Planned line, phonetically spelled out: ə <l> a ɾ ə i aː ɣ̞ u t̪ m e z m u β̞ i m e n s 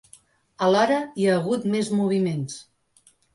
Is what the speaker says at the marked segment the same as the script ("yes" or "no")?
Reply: yes